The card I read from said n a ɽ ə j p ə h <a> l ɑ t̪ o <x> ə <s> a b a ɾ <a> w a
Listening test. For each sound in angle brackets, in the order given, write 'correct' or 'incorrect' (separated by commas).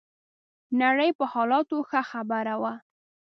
incorrect, correct, incorrect, correct